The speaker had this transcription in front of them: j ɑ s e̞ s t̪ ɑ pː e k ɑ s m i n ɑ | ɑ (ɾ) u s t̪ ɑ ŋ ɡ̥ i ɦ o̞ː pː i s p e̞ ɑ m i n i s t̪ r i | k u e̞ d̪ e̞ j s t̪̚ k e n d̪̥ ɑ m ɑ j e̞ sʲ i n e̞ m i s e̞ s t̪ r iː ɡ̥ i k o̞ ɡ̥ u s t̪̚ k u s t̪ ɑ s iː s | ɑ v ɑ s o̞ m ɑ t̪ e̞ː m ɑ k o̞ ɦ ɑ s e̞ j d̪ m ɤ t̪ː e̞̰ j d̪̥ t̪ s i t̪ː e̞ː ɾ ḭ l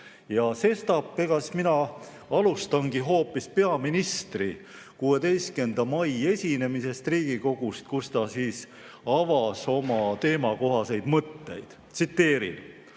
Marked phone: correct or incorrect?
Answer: incorrect